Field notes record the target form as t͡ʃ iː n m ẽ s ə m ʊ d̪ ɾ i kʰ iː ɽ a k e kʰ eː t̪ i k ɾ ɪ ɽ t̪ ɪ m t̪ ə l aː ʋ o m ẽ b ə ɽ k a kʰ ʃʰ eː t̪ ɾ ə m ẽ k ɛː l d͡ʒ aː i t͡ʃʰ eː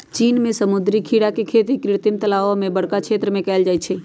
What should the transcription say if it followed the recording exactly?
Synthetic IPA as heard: t͡ʃ iː n m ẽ s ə m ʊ d̪ ɾ i kʰ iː ɽ a k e kʰ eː t̪ i k ɾ ɪ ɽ t̪ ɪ m t̪ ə l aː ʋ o m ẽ b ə ɽ k a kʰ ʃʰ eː t̪ ɾ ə m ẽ k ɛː l d͡ʒ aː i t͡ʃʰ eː

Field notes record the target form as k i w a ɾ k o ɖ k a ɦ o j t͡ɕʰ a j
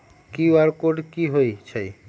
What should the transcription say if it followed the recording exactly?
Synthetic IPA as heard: k i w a ɾ k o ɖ k i ɦ o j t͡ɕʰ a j

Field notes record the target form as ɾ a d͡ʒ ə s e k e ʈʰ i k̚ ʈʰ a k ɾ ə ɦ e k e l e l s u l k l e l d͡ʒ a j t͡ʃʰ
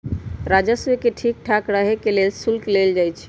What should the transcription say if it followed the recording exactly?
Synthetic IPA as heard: ɾ a d͡ʒ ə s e k e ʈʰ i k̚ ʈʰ a k ɾ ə ɦ e k e l e l s u l k l e l d͡ʒ a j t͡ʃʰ

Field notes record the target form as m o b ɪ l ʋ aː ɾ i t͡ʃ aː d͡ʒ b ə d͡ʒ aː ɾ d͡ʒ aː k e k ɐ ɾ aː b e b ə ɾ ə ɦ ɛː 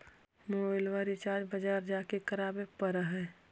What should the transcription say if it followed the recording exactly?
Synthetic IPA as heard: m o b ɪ l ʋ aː ɾ i t͡ʃ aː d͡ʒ b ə d͡ʒ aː ɾ d͡ʒ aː k e k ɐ ɾ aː b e p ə ɾ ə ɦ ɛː

